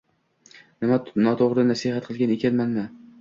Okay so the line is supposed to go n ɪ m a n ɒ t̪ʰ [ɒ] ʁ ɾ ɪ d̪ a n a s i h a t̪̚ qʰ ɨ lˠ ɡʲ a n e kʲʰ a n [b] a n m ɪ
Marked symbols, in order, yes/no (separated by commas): no, no